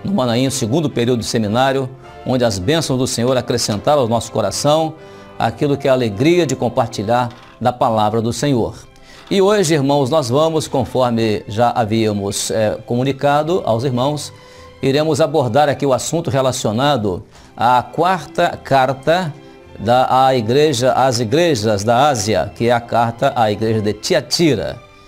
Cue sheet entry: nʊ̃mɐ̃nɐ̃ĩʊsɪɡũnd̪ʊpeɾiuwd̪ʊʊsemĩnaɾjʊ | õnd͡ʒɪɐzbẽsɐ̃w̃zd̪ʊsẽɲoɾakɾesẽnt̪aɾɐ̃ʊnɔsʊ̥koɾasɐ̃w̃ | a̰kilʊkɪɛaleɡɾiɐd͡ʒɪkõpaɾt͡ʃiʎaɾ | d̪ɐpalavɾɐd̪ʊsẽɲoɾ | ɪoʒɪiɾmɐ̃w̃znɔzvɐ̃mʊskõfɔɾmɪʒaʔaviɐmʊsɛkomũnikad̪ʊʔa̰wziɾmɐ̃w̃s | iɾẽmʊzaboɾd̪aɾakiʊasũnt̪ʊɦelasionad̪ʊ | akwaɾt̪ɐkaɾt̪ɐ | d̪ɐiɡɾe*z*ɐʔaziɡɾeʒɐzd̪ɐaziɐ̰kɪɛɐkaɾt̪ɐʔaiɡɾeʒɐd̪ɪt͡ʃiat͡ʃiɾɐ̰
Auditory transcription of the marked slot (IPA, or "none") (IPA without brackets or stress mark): ʒ